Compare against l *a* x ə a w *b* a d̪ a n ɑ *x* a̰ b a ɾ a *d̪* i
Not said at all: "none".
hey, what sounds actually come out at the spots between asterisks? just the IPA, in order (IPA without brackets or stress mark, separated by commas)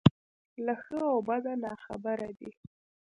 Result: a, b, x, d̪